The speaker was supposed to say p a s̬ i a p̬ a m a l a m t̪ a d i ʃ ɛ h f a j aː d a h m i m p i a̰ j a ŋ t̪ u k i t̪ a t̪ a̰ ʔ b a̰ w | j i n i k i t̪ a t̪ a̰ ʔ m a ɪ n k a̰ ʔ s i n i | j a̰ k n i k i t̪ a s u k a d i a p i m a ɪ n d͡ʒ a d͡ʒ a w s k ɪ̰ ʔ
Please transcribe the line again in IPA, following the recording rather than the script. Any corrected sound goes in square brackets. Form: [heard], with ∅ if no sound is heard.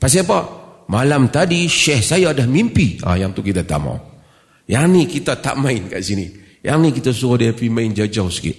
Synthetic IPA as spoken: p a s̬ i a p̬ a m a l a m t̪ a d i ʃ ɛ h [s] a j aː d a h m i m p i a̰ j a ŋ t̪ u k i t̪ a t̪ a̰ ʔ [m] a̰ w | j [a] n i k i t̪ a t̪ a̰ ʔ m a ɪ n k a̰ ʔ s i n i | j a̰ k n i k i t̪ a s u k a d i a p i m a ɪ n d͡ʒ a d͡ʒ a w s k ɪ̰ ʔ